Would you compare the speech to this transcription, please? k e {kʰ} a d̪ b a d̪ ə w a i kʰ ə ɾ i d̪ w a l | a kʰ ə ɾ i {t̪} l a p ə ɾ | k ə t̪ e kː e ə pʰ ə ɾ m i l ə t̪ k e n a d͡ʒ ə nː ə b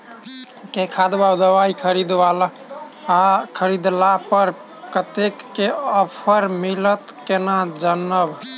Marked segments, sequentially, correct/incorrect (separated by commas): correct, incorrect